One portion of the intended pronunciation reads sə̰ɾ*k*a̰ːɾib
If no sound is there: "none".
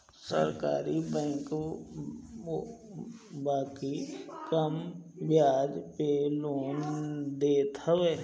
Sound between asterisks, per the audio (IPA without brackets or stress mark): k